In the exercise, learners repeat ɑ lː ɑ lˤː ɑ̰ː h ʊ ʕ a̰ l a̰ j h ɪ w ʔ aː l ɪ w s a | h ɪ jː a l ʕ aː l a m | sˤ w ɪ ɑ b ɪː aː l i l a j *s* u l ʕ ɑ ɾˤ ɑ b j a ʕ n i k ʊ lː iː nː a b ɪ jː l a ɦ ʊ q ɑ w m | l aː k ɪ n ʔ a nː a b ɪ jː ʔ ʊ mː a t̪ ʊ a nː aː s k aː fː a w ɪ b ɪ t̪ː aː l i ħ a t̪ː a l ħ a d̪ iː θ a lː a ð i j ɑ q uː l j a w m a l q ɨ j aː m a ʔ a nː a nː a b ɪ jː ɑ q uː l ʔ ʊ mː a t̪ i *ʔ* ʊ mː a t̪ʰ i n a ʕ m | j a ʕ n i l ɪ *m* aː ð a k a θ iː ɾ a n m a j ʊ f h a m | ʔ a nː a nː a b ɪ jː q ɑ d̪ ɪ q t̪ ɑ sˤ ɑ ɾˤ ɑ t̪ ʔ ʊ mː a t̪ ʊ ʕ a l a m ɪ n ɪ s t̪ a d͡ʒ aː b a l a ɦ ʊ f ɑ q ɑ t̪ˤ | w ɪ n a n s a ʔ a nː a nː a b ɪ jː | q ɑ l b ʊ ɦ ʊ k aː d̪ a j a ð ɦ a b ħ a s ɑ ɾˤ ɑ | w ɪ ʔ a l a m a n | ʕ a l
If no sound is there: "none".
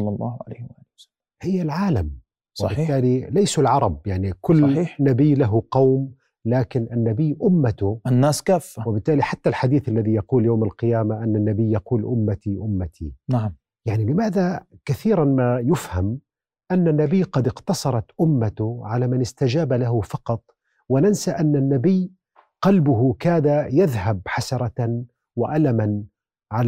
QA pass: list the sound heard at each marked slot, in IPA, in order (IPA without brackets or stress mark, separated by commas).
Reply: s, ʔ, m